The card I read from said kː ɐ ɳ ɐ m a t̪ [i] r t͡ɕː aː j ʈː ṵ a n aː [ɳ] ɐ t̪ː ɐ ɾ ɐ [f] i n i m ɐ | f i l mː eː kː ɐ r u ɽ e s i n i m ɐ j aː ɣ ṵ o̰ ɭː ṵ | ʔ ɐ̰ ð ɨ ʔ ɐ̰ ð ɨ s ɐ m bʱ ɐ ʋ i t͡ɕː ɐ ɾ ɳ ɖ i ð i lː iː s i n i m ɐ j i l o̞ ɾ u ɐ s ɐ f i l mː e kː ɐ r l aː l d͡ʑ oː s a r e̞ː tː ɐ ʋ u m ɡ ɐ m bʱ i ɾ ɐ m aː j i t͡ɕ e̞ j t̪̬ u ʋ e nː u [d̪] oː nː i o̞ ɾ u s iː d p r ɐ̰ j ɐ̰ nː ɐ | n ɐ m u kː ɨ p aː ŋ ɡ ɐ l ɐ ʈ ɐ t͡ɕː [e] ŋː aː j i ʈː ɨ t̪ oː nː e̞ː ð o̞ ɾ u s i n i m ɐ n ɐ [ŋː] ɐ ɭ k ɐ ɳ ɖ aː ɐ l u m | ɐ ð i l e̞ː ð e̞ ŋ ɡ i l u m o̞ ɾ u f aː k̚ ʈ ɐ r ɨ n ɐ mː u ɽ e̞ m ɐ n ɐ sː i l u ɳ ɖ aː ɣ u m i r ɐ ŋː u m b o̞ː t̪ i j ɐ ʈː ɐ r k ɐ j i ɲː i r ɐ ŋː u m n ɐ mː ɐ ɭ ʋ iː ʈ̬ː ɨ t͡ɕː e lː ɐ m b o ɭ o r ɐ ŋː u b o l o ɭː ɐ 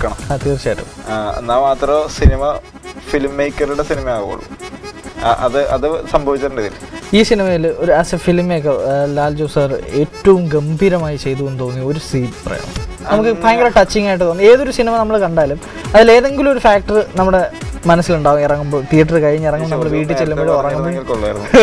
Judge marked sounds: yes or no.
no, no, no, no, no, no

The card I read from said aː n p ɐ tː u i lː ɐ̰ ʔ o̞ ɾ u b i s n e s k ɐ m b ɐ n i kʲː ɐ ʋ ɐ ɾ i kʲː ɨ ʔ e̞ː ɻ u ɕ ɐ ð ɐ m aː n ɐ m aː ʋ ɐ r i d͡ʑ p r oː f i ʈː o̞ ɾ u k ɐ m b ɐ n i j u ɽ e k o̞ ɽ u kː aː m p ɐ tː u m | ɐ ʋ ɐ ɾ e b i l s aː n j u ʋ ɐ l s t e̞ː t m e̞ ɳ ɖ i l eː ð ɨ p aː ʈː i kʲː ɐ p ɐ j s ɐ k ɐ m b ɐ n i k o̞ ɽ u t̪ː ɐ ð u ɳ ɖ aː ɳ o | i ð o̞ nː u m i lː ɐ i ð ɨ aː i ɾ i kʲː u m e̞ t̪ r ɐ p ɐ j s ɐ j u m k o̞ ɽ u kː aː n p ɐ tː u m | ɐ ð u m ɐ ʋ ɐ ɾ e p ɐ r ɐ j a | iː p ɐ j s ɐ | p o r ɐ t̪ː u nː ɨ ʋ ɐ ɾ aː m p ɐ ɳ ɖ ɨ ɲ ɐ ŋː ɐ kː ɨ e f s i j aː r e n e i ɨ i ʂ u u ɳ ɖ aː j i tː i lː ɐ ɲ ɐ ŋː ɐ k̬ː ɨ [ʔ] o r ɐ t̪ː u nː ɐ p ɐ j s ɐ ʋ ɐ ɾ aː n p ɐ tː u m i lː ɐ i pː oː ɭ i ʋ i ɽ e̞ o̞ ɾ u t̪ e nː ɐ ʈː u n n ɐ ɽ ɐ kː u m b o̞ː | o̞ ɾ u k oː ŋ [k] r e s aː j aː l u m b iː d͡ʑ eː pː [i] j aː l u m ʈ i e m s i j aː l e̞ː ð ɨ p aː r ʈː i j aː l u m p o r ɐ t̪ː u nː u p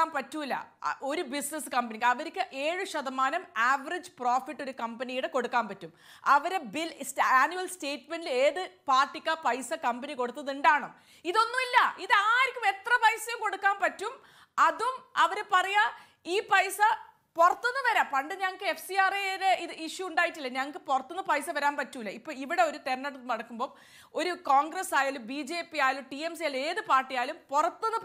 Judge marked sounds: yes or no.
no, no, yes

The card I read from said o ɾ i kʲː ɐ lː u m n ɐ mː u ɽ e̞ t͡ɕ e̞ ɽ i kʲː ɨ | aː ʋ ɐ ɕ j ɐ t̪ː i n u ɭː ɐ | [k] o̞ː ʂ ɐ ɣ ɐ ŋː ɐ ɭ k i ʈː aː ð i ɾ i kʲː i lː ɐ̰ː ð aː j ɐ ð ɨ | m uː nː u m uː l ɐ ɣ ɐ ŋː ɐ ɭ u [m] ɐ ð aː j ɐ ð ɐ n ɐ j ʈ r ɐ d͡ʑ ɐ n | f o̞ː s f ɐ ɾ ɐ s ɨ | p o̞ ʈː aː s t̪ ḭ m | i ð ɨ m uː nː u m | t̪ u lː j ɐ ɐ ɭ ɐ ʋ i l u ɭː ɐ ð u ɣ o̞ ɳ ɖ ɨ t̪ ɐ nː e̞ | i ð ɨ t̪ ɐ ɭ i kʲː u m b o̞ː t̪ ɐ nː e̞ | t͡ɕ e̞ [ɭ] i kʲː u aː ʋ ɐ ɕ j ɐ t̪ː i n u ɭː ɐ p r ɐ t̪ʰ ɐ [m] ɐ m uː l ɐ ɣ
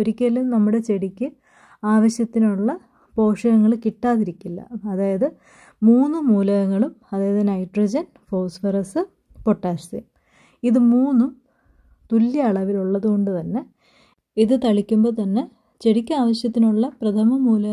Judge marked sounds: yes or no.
no, yes, no, yes

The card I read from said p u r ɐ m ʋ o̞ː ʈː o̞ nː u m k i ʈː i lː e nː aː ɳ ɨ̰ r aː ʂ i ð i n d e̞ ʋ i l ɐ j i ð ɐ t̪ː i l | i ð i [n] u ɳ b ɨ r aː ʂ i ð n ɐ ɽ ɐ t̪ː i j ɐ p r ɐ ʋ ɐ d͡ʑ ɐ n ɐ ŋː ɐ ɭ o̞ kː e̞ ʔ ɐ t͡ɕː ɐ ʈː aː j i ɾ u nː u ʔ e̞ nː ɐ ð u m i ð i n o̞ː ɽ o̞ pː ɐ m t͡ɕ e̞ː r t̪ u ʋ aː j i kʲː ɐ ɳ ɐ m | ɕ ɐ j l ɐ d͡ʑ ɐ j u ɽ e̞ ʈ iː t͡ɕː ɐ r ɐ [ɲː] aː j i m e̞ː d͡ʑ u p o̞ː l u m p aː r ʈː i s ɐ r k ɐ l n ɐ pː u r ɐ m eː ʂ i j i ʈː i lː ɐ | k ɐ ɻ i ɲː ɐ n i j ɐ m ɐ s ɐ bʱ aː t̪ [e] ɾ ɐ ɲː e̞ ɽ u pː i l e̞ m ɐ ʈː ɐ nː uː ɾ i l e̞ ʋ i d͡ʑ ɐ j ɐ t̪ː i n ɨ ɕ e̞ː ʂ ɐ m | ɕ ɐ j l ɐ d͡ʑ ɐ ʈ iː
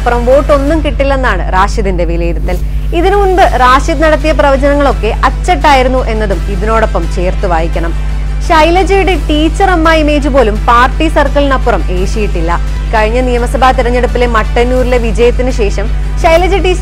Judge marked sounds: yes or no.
yes, no, no

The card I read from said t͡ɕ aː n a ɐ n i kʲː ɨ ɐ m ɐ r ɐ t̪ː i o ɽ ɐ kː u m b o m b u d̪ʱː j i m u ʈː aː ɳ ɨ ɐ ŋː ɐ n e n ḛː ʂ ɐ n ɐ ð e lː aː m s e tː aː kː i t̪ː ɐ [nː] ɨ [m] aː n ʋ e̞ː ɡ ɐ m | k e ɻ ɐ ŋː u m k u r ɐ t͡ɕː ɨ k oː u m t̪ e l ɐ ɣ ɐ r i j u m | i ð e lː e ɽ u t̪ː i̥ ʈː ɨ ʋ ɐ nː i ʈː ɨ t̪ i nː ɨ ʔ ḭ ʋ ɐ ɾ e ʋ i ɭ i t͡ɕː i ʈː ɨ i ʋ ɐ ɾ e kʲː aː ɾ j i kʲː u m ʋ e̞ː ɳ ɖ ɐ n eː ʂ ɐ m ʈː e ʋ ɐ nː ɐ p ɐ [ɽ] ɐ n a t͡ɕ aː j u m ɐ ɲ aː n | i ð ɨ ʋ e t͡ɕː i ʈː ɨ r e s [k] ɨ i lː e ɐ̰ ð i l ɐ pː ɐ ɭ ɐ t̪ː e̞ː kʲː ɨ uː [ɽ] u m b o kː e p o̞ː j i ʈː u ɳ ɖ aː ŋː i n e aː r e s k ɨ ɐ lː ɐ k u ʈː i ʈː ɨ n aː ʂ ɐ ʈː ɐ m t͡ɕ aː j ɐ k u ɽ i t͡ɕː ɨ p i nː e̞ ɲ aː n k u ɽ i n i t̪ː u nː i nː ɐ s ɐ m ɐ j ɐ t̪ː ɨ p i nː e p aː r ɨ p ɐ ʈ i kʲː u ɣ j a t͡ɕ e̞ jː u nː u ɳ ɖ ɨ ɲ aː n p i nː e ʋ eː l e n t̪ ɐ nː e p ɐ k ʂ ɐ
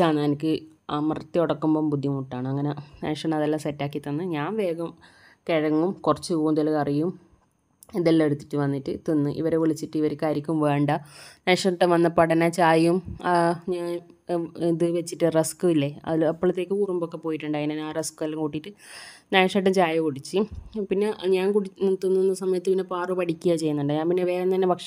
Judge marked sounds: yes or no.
yes, no, yes, yes, no

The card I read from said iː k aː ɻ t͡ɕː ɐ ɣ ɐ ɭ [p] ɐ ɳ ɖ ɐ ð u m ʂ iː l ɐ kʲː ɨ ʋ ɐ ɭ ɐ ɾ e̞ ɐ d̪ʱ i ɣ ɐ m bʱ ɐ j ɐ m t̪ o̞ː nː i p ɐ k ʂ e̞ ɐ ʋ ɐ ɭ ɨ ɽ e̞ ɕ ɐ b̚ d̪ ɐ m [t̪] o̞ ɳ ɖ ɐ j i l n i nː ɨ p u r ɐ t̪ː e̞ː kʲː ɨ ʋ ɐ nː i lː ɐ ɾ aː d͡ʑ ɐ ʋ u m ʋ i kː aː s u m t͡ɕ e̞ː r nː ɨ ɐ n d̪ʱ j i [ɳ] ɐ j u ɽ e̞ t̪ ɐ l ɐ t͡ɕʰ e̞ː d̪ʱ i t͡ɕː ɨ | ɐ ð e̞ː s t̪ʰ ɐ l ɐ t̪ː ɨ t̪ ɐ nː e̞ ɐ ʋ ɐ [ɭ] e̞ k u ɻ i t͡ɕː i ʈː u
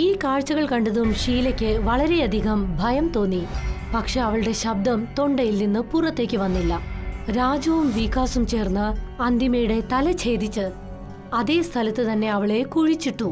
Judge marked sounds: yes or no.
no, yes, no, yes

